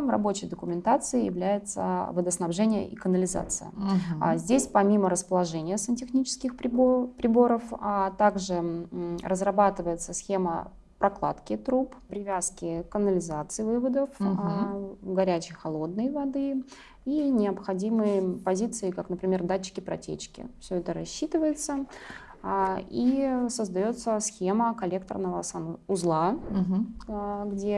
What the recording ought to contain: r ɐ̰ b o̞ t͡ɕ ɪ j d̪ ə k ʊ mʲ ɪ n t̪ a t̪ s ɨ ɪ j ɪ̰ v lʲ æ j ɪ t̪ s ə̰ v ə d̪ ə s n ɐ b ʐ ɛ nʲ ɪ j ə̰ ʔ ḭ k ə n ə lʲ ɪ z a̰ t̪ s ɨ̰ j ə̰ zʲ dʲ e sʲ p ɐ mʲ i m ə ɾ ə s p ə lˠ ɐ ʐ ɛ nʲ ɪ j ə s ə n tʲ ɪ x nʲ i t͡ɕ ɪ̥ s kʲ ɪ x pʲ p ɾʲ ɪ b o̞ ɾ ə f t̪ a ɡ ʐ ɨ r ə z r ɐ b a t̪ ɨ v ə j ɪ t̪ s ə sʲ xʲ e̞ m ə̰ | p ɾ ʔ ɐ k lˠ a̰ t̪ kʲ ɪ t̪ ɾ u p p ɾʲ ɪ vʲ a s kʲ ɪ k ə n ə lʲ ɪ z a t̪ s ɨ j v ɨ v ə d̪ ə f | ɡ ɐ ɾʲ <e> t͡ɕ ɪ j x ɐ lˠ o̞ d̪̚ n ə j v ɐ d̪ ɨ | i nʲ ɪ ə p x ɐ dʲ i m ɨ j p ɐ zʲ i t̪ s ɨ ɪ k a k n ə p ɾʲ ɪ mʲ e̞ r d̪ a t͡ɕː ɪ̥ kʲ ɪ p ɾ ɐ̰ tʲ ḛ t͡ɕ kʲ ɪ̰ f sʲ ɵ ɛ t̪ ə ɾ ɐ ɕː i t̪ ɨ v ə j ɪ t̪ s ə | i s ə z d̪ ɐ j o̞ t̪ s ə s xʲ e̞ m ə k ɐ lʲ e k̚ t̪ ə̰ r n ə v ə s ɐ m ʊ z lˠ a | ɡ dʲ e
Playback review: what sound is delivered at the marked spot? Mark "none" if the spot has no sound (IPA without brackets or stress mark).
æ